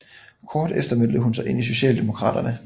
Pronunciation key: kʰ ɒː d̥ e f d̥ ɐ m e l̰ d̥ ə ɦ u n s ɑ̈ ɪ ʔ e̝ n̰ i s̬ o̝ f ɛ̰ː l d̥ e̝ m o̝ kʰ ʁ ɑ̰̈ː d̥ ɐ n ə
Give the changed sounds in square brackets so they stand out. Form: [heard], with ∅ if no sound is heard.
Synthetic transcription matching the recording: kʰ ɒː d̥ e f d̥ ɐ m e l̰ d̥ ə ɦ u n s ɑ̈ ɪ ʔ e̝ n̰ i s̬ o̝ [ɕ] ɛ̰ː l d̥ e̝ m o̝ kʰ ʁ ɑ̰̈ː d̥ ɐ n ə